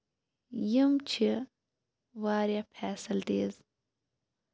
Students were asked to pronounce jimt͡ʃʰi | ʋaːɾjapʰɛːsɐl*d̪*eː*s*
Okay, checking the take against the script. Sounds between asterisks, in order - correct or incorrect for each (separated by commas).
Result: incorrect, incorrect